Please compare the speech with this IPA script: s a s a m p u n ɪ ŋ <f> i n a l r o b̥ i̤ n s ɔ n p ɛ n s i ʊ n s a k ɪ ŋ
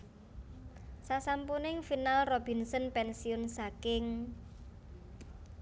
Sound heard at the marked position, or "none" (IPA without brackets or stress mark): f